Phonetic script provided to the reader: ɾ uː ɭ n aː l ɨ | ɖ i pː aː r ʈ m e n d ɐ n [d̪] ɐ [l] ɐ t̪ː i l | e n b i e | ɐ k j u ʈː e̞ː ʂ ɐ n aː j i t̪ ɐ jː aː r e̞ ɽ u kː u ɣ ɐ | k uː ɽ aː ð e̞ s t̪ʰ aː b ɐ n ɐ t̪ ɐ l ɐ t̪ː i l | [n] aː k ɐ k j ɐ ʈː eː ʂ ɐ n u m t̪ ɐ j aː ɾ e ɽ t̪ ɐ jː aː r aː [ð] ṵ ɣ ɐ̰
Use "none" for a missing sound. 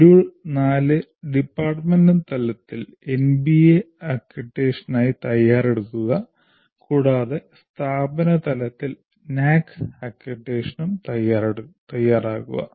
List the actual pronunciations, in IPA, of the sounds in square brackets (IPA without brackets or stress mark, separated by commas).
t̪, l, n, ɣ